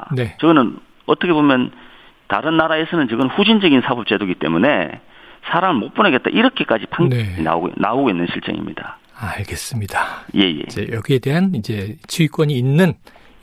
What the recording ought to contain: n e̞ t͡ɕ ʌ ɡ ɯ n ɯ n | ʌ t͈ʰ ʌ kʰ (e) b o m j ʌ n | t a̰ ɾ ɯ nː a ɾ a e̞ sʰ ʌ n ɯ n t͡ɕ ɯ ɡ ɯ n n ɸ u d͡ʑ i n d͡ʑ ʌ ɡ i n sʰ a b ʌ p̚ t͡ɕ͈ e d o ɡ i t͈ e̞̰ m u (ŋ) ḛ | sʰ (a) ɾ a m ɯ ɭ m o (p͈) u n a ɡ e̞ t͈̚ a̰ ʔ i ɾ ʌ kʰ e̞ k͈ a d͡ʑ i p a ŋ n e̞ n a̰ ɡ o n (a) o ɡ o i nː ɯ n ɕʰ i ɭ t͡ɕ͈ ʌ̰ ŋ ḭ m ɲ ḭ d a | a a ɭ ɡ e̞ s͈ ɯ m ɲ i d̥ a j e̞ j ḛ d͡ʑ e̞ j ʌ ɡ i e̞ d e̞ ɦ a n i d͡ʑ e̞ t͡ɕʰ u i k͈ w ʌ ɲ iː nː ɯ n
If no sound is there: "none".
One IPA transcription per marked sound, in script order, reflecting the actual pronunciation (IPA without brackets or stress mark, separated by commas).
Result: e, n, a, p͈, a